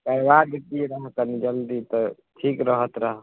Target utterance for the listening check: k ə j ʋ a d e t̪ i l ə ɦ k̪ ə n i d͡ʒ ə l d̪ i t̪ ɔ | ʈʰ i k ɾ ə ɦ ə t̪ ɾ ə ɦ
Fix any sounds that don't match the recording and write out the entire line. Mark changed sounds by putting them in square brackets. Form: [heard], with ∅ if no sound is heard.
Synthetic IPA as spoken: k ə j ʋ a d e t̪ i [ɾ] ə ɦ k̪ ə n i d͡ʒ ə l d̪ i t̪ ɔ | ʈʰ i k ɾ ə ɦ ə t̪ ɾ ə ɦ